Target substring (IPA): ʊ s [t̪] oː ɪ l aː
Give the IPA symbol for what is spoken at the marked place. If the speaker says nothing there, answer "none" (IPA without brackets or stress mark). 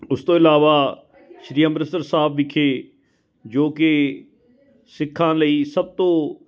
t̪